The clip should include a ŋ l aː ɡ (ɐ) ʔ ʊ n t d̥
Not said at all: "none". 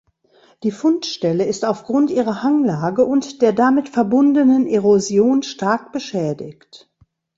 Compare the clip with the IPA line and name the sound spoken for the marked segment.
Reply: ə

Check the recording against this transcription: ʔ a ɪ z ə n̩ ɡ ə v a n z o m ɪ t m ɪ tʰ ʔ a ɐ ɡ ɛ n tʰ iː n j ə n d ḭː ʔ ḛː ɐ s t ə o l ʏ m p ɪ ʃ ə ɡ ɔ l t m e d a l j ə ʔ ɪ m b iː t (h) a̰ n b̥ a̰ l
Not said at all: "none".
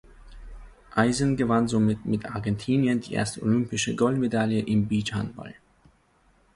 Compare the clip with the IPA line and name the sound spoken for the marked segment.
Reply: h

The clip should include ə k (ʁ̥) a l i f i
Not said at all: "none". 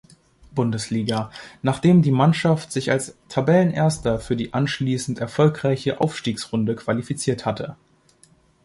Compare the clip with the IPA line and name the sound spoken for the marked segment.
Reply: v̥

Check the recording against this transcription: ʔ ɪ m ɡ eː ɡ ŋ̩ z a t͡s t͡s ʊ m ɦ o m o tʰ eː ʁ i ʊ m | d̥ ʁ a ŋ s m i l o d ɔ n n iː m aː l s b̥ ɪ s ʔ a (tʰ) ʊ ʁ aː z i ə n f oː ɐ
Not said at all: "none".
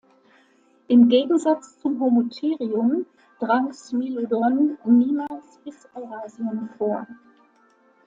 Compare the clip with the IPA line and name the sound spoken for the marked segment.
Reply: none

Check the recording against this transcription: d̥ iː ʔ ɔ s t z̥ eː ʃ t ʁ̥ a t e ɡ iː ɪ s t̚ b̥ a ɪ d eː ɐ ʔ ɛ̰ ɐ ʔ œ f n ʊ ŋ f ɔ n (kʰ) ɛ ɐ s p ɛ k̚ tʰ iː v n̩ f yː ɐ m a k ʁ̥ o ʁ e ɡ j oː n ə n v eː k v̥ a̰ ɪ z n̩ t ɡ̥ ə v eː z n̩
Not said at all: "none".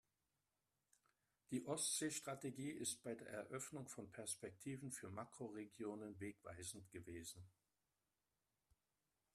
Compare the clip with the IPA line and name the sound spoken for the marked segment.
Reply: pʰ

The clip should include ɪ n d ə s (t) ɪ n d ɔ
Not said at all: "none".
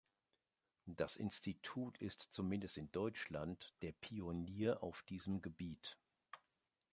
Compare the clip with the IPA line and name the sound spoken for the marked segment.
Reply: t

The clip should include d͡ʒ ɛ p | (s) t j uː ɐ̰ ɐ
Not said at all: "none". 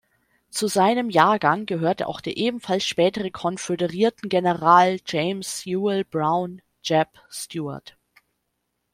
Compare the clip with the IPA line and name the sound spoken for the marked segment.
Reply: s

